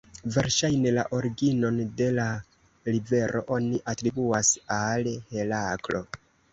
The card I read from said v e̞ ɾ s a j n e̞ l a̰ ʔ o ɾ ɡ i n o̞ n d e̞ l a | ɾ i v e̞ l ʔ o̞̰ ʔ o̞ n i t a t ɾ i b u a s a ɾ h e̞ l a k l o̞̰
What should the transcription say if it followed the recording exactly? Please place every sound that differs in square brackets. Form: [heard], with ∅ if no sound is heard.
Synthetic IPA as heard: v e̞ ɾ [ʃ] a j n e̞ l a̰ ʔ o ɾ ɡ i n o̞ n d e̞ l a | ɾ i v e̞ [ɾ] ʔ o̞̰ ʔ o̞ n i [ʔ] a t ɾ i b u a s a [l] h e̞ l a k l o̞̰